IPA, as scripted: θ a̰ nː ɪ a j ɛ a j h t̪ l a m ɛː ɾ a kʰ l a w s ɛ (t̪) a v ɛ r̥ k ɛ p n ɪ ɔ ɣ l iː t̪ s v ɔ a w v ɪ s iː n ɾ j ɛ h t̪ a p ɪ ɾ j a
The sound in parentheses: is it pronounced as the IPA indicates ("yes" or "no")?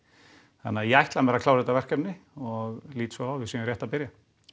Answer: yes